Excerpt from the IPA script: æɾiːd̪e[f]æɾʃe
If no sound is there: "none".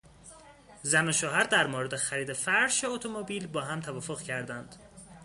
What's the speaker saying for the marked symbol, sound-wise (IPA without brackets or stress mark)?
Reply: f